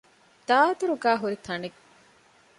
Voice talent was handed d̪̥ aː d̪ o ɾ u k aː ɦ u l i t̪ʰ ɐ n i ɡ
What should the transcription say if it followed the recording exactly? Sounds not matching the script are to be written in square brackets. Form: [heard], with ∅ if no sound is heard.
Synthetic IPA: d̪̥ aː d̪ [u] ɾ u [ɡ] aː ɦ u [ɾ] i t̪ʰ ɐ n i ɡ